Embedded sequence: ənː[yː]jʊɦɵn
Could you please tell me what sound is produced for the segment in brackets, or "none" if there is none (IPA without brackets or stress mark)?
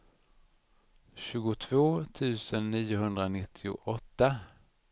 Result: iː